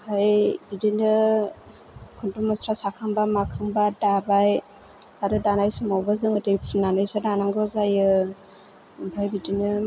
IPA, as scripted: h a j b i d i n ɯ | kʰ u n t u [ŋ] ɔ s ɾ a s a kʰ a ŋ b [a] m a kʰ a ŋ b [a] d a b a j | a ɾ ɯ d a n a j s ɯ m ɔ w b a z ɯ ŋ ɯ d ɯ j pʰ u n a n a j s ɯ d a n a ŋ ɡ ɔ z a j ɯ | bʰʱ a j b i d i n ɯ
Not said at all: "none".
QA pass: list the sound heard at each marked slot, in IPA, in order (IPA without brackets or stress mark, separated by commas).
m, a, a